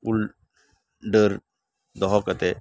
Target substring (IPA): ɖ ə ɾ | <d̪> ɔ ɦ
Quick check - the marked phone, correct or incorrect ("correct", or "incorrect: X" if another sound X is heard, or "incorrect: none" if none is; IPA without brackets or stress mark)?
correct